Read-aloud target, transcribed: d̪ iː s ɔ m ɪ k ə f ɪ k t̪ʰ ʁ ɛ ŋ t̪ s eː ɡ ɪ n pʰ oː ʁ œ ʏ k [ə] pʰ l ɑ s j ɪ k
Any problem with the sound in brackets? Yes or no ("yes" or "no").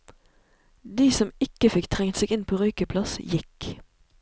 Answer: no